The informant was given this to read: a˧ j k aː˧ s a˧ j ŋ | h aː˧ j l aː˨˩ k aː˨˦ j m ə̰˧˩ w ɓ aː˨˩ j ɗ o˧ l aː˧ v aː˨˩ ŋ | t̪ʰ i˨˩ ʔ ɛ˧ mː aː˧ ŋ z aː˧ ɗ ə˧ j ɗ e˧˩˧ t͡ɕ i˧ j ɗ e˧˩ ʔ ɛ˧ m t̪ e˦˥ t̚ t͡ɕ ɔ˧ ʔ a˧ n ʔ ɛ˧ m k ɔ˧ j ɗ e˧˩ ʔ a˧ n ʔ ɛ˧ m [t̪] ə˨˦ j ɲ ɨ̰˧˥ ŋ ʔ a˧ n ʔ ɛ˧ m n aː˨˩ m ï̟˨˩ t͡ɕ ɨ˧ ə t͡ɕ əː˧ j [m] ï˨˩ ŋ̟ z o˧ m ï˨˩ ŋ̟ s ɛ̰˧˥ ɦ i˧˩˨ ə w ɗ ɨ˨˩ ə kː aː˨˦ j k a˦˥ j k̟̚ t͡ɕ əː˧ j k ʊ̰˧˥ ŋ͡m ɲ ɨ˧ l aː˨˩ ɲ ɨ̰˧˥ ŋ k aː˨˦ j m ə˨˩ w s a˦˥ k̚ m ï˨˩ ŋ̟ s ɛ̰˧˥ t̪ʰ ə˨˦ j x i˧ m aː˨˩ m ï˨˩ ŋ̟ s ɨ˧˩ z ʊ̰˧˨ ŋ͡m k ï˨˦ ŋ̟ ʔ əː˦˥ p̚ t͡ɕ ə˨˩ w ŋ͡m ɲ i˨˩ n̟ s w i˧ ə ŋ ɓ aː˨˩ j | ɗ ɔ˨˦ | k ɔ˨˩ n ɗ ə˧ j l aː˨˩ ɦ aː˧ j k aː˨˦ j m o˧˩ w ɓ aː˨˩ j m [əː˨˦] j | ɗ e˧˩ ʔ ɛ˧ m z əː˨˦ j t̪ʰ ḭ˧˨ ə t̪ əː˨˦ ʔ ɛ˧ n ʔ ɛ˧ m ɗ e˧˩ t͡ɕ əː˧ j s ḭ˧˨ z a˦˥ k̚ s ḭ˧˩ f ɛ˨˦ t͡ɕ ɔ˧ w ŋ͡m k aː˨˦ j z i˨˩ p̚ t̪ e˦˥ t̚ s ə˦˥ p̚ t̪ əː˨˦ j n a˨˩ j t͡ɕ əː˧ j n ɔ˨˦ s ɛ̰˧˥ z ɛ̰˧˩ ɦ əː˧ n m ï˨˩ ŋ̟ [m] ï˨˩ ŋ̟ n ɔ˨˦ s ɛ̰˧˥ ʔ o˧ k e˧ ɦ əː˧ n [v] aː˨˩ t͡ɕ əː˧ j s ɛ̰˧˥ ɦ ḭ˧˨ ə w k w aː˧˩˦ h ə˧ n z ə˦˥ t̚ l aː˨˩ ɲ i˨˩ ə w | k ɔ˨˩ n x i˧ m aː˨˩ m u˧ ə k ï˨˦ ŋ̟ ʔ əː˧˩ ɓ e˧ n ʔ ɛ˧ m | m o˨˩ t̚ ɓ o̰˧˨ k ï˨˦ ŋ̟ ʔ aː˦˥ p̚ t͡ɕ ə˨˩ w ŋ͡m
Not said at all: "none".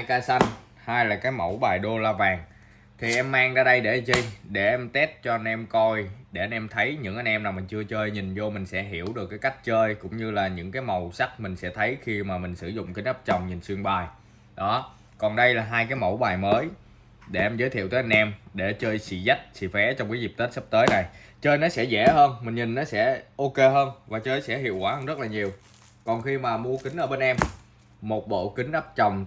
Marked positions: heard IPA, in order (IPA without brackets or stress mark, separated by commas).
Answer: t̪ʰ, ɲ, əː˨˦, ɲ, v